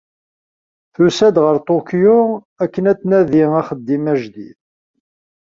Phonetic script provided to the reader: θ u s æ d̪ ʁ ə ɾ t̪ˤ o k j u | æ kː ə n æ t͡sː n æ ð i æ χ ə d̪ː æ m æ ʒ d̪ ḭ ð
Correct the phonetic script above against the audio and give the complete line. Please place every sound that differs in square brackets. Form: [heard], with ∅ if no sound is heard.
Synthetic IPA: θ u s æ d̪ ʁ ə ɾ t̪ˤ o k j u | æ kː ə n æ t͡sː n æ ð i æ χ ə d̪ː [i] m æ ʒ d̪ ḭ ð